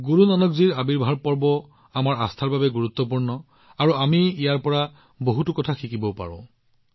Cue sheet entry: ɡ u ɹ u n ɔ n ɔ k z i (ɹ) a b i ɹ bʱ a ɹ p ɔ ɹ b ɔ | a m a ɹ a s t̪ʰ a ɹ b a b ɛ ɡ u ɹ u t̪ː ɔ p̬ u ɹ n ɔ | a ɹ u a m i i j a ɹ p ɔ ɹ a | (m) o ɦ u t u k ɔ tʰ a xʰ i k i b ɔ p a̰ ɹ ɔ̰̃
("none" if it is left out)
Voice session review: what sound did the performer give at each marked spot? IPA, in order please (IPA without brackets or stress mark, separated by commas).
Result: ɹ, b